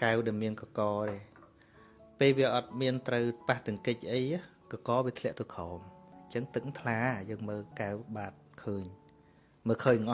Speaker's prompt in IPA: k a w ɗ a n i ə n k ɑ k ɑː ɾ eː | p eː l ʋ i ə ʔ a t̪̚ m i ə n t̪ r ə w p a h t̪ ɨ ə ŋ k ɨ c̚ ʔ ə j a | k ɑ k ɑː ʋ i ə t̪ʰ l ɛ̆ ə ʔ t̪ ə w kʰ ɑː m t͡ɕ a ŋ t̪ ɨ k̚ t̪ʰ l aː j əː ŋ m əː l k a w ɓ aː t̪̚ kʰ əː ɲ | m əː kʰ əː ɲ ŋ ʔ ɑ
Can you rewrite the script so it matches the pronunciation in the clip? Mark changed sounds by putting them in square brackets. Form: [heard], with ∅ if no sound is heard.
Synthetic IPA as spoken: k a w ɗ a [m] i ə n k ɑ k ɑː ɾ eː | p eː l ʋ i ə ʔ [ɑ] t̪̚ m i ə n t̪ r ə w p a h t̪ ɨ ə ŋ k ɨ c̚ ʔ ə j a | k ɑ k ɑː ʋ i ə t̪ʰ l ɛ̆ ə ʔ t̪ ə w kʰ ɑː m t͡ɕ [ə] ŋ t̪ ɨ k̚ t̪ʰ l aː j əː ŋ m əː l k a w ɓ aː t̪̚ kʰ əː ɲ | m əː kʰ əː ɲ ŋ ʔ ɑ